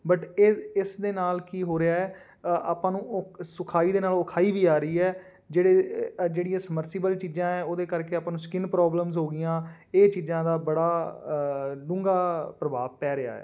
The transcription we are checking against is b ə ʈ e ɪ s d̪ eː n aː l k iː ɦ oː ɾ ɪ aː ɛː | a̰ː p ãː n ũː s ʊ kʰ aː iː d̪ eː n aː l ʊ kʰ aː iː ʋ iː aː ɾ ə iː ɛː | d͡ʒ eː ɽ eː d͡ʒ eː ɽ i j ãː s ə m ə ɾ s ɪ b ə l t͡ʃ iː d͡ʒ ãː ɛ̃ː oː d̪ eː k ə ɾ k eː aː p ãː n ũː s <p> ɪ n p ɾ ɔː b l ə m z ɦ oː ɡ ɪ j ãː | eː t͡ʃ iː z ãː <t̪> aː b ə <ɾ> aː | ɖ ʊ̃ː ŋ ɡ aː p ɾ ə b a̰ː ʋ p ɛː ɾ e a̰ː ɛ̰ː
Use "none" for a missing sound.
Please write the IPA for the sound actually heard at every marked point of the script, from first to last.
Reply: k, d̪, ɽ

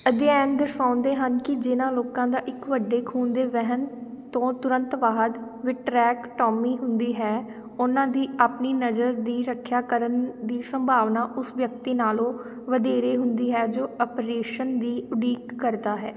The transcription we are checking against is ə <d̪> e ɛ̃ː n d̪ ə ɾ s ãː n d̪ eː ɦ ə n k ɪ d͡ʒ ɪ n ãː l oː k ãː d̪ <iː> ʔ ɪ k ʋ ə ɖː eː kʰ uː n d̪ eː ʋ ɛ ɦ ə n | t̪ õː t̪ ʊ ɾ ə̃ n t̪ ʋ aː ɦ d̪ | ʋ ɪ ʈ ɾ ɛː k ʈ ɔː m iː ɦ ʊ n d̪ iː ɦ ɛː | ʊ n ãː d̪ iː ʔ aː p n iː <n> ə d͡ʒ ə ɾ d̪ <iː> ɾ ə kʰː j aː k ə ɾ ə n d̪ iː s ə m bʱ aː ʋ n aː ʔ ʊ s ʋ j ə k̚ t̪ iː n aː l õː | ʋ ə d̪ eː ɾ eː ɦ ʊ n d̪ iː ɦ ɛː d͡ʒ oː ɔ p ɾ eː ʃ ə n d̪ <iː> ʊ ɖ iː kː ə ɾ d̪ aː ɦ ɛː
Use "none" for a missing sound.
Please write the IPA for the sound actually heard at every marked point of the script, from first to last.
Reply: d̪, aː, n, iː, iː

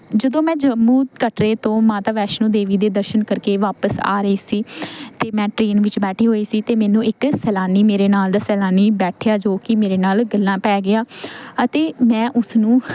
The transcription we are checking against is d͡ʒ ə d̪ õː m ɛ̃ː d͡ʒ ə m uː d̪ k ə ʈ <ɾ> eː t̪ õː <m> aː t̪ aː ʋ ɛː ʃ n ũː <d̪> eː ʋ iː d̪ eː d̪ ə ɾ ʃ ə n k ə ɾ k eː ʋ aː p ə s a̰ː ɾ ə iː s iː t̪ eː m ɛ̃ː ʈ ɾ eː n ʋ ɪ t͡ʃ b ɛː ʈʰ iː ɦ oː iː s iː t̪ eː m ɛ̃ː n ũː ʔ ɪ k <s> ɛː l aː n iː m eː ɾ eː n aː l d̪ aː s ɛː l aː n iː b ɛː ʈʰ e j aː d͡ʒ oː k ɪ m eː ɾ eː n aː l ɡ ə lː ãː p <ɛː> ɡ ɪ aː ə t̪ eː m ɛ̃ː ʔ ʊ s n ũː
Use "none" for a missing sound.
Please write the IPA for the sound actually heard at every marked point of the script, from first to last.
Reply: ɾ, m, d̪, s, ɛː

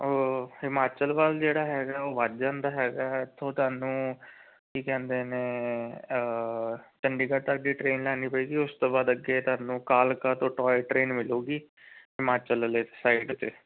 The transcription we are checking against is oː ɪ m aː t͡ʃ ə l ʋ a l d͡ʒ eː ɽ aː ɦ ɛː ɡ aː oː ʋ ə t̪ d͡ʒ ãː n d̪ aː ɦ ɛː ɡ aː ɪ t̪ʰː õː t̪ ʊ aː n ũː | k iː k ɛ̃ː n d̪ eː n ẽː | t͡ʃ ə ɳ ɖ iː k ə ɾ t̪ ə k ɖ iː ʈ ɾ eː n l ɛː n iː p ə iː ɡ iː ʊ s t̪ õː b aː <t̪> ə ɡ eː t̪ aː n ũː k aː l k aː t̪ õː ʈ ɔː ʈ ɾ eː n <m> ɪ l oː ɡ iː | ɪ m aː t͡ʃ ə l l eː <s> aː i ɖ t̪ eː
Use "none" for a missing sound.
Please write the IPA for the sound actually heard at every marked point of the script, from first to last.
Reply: d̪, m, s

